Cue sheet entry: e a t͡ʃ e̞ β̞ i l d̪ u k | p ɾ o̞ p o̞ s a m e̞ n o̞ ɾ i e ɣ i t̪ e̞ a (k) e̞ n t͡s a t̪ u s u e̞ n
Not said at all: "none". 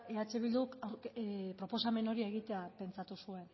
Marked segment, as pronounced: p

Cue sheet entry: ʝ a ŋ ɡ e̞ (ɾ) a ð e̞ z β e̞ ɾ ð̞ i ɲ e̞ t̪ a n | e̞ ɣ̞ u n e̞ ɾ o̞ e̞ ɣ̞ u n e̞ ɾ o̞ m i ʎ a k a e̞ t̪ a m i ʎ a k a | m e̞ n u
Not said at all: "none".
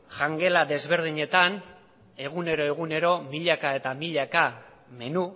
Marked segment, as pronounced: l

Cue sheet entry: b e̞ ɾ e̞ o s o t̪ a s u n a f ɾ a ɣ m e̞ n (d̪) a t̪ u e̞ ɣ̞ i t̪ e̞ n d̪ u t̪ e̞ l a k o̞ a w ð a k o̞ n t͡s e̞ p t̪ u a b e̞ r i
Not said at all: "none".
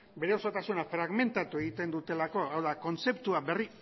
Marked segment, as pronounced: t̪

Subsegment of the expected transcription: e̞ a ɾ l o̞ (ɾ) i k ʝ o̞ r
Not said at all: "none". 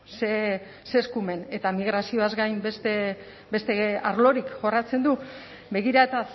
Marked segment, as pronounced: ɾ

